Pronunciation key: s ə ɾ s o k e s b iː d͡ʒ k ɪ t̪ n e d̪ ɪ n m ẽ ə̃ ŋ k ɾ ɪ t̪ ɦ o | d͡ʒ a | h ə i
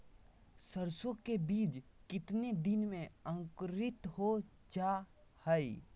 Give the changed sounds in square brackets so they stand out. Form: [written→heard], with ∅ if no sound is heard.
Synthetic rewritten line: s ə ɾ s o k e [s→∅] b iː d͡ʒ k ɪ t̪ n e d̪ ɪ n m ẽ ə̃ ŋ k ɾ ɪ t̪ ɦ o | d͡ʒ a | h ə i